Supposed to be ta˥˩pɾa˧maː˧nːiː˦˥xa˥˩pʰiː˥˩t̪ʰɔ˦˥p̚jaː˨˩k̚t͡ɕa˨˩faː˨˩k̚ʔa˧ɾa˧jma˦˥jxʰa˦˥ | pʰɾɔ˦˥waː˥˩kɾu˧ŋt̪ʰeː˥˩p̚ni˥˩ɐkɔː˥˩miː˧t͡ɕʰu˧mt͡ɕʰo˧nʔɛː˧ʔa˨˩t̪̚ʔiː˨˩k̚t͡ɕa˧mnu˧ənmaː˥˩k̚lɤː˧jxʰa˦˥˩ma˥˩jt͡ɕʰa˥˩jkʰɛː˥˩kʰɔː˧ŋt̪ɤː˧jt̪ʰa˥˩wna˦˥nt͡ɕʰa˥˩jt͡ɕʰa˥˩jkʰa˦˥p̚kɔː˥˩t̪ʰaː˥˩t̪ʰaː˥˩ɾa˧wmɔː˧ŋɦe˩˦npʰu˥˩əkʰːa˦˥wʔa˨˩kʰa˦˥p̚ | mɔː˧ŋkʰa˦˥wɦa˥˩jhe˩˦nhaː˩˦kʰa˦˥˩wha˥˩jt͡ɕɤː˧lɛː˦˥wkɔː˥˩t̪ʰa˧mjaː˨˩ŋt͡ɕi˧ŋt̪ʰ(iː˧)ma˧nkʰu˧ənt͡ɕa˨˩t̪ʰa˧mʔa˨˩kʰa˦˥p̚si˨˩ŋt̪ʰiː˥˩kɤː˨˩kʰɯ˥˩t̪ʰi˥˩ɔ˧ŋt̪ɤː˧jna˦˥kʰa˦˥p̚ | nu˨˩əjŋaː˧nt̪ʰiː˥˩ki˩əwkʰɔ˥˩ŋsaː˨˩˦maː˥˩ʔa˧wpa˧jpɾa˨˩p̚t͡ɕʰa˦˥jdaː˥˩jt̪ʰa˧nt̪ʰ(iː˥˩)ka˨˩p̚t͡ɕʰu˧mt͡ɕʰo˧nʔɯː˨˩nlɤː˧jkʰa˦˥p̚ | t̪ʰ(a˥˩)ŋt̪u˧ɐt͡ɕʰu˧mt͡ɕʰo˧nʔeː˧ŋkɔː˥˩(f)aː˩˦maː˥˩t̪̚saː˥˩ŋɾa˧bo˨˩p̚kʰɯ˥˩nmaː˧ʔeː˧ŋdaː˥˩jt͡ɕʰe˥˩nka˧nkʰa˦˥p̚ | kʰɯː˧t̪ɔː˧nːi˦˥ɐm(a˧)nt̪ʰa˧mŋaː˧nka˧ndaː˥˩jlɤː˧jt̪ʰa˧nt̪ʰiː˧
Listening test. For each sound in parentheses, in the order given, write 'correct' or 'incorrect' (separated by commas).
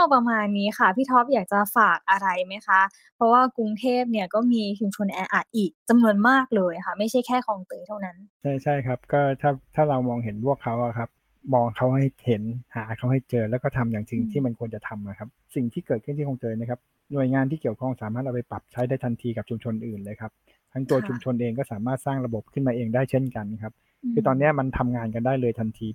incorrect, incorrect, incorrect, incorrect, correct